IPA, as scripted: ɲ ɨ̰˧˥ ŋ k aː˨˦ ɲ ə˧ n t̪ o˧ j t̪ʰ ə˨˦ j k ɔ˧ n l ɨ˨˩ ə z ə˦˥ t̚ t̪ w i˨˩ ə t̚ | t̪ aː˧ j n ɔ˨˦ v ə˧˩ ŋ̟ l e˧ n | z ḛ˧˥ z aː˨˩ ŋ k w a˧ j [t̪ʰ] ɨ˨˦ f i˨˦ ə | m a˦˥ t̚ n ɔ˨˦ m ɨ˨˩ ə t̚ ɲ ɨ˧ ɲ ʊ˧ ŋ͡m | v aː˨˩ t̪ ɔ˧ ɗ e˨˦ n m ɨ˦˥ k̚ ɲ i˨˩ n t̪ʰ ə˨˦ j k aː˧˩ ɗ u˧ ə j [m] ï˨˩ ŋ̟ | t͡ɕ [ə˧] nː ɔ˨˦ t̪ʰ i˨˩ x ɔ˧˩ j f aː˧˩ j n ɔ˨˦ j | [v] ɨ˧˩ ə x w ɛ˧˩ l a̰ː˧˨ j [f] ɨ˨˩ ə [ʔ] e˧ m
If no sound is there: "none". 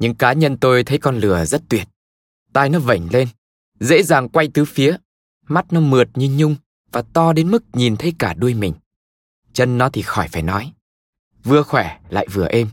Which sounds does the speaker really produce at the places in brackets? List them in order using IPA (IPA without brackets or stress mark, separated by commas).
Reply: t̪, m, ə˧, v, v, ʔ